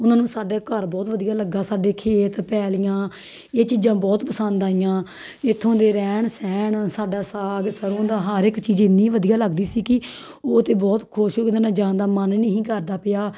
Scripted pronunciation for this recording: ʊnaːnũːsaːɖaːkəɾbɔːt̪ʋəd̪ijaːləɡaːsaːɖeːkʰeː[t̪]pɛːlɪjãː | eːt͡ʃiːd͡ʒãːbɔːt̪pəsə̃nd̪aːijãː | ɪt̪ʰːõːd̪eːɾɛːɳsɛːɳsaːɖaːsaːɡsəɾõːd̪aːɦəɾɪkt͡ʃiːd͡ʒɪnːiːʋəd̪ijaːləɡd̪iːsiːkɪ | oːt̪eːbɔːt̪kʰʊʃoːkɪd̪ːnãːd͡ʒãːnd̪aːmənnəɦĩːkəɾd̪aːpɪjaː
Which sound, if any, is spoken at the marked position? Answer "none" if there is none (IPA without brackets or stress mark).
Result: t̪